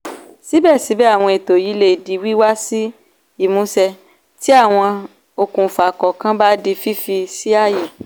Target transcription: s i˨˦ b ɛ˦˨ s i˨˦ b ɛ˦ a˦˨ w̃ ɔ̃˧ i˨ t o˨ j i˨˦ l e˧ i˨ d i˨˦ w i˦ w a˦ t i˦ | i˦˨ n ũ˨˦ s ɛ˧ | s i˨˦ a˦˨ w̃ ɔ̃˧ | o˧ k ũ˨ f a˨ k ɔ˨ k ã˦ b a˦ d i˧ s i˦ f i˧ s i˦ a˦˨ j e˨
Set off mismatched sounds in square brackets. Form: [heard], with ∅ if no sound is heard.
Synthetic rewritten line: s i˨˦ b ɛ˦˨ s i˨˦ b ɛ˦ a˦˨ w̃ ɔ̃˧ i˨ t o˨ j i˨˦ l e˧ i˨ d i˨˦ w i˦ w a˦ [s] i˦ | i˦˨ [m] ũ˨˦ s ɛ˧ | [t] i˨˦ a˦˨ w̃ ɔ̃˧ | o˧ k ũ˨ f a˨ k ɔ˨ k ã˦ b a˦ d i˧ [f] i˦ f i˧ s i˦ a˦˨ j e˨